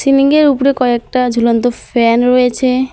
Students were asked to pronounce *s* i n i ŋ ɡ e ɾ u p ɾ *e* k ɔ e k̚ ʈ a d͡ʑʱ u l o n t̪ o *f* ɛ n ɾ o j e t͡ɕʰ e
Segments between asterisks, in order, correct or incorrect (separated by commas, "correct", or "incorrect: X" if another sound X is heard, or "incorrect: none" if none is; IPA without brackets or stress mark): correct, correct, correct